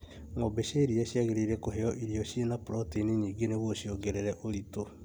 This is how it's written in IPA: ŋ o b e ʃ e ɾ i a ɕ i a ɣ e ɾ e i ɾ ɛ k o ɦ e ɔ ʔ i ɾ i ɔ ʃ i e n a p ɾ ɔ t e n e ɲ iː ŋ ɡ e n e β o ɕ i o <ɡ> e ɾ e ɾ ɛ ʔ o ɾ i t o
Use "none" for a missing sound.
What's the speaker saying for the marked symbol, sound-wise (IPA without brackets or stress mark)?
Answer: ɡ